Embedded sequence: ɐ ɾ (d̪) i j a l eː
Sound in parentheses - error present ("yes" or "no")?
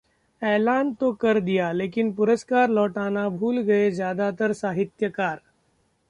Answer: no